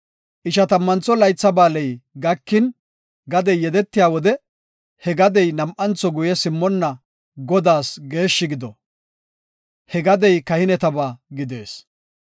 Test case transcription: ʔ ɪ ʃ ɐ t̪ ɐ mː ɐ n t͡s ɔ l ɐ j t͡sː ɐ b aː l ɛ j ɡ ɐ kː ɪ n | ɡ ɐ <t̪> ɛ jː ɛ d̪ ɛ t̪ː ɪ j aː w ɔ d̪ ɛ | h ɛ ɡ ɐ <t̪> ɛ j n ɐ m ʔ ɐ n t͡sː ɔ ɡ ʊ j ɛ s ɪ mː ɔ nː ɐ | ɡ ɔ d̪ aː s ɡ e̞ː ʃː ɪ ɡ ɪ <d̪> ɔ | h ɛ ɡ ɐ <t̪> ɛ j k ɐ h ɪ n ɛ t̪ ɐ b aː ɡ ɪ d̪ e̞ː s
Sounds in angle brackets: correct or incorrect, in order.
incorrect, incorrect, correct, incorrect

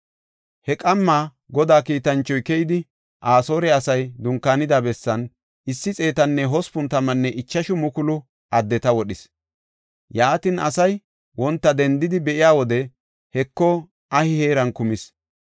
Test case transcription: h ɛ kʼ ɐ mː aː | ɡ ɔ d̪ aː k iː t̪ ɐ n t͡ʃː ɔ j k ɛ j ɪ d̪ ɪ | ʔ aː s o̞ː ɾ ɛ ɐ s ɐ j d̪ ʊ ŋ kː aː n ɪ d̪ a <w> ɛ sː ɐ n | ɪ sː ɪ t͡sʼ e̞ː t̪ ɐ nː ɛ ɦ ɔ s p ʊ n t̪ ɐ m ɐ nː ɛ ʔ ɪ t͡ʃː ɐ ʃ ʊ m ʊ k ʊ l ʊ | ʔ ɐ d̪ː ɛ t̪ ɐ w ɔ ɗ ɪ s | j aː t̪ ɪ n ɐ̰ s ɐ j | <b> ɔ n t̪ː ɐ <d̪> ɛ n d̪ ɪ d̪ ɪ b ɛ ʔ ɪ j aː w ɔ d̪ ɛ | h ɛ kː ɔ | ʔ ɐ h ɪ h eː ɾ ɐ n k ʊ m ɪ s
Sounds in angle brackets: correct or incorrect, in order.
incorrect, incorrect, correct

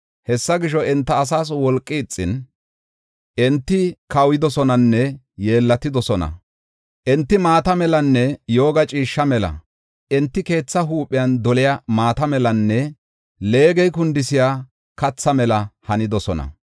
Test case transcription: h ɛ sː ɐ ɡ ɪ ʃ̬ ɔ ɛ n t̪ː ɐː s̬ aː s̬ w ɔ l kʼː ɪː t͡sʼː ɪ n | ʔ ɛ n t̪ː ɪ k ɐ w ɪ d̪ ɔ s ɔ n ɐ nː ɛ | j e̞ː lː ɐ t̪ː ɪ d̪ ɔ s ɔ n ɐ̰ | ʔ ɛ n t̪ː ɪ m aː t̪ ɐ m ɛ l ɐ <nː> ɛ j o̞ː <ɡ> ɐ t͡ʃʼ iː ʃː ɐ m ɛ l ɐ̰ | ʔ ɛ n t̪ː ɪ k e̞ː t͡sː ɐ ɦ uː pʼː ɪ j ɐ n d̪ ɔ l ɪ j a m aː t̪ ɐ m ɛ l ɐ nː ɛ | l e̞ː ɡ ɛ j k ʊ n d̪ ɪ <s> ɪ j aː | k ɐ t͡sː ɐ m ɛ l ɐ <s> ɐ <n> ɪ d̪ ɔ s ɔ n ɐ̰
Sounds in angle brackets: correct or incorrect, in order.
correct, correct, correct, incorrect, correct

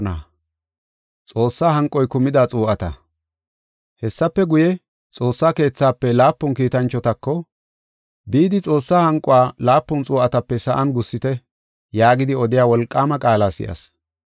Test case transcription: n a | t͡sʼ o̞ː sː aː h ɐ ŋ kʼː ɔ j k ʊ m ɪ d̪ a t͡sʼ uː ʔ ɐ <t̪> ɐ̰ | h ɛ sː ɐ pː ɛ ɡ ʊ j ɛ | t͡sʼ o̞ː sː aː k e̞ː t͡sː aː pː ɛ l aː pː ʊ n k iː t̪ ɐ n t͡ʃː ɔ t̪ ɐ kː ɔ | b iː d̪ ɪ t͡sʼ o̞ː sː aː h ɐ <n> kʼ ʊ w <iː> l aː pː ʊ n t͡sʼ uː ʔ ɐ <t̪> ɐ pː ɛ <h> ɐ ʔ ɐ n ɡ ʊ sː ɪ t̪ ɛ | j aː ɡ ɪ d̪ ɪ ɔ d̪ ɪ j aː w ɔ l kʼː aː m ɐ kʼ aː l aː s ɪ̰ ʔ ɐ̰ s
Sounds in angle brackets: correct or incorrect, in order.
correct, incorrect, incorrect, correct, incorrect

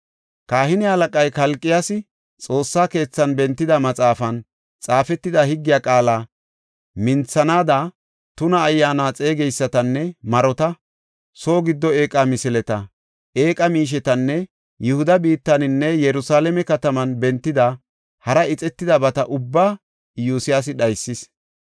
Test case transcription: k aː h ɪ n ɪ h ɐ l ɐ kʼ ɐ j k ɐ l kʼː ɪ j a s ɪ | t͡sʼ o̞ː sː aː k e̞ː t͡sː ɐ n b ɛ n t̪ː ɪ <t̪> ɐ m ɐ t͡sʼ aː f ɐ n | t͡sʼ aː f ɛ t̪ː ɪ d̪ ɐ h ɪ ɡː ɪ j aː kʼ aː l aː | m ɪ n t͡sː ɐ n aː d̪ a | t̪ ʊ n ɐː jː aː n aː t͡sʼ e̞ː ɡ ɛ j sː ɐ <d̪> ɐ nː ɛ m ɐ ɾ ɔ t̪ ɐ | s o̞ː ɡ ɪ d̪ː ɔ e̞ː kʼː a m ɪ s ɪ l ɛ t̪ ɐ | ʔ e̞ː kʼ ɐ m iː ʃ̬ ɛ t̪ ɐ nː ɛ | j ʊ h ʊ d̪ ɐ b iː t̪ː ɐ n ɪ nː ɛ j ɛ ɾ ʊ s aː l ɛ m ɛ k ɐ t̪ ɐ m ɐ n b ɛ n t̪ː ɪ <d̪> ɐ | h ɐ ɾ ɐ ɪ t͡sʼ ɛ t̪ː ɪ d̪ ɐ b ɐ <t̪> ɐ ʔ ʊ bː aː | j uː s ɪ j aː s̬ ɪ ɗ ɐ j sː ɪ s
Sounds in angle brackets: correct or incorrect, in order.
incorrect, incorrect, correct, correct

